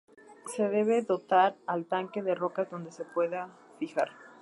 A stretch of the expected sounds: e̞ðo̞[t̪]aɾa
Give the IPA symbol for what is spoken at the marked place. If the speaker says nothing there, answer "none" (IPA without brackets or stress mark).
t̪